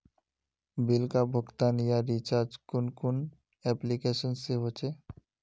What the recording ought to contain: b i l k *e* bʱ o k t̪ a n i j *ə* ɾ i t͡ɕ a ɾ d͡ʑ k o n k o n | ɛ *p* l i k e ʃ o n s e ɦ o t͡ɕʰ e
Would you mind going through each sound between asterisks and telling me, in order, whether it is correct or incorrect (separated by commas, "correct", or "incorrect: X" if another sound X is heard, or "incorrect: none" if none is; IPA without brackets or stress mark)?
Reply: incorrect: a, incorrect: a, correct